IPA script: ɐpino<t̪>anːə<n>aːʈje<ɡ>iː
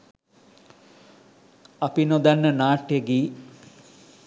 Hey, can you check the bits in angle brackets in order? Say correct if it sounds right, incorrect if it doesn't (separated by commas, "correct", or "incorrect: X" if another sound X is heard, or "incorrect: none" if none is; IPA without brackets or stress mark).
incorrect: d̪, correct, correct